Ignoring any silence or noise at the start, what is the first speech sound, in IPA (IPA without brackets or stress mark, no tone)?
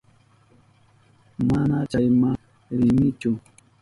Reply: m